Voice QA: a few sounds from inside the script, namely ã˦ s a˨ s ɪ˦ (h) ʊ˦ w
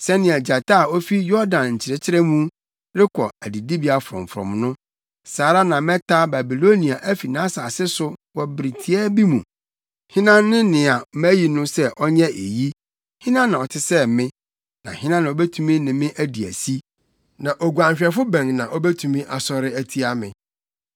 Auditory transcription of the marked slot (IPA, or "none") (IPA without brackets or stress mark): s